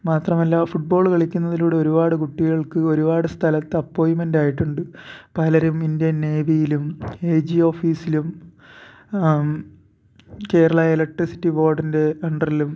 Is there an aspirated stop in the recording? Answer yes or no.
yes